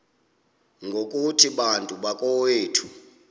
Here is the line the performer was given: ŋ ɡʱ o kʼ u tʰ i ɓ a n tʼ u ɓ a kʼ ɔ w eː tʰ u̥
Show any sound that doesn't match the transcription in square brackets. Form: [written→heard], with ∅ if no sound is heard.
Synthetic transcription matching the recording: ŋ ɡʱ o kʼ u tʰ i ɓ a n tʼ u ɓ a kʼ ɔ w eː tʰ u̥